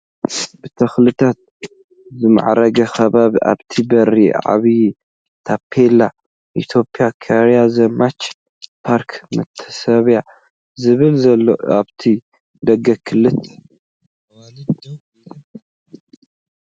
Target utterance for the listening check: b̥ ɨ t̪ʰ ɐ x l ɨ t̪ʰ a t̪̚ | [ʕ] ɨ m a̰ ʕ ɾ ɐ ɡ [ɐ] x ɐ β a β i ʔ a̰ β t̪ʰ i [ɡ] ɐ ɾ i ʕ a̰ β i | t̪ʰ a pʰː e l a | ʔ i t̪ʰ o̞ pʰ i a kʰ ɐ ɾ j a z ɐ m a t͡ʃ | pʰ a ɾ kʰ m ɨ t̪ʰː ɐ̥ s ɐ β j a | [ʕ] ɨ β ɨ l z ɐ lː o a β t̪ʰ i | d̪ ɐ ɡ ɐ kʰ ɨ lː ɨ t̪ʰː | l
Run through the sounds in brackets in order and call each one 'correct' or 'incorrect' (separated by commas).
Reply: incorrect, correct, incorrect, incorrect